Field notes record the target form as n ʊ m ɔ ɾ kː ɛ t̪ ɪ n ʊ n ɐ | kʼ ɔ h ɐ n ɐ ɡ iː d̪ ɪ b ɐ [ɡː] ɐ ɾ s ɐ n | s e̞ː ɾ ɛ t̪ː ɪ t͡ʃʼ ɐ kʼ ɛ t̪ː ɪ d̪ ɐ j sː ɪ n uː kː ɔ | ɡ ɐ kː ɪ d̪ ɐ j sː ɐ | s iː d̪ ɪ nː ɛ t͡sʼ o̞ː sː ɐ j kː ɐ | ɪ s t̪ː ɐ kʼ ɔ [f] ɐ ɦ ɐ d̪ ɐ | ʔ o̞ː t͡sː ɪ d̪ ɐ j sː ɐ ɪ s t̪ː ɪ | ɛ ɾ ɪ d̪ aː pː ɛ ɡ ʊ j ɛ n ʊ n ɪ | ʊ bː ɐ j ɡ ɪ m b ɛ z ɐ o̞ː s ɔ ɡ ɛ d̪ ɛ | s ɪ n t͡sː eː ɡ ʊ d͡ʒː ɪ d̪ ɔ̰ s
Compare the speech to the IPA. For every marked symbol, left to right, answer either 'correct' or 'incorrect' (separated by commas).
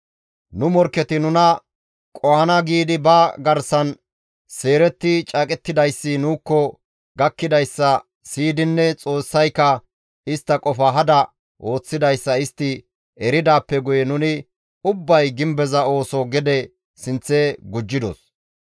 incorrect, correct